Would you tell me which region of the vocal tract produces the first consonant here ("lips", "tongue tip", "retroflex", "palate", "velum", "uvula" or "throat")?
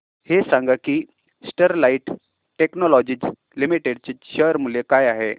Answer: throat